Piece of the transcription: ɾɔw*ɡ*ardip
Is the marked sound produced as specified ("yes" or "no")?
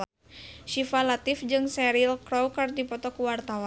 no